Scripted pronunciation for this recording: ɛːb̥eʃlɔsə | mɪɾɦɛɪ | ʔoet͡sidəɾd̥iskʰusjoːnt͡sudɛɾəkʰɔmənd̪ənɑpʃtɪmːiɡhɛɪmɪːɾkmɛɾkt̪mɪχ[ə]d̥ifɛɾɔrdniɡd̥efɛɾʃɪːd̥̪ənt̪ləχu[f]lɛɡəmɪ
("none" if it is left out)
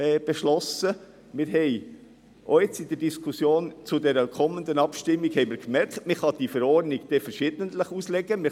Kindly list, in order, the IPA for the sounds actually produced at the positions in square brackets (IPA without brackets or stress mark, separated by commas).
ɑ, s